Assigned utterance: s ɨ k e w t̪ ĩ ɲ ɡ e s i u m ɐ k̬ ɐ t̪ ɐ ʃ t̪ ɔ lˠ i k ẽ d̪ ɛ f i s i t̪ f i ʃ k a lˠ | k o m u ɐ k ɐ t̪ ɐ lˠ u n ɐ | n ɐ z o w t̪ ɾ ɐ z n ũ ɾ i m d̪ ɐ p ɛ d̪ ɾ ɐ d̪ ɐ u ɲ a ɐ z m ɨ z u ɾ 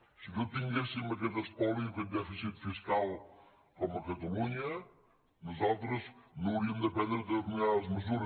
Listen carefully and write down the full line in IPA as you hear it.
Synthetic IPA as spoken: s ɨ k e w t̪ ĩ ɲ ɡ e s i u m ɐ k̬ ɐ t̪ ɐ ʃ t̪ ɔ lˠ i k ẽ d̪ ɛ f i s i t̪ f i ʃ k a lˠ | k o m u ɐ k ɐ t̪ ɐ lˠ u ɲ ɐ | n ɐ z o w t̪ ɾ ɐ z n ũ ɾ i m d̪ ɐ p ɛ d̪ ɾ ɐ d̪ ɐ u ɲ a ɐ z m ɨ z u ɾ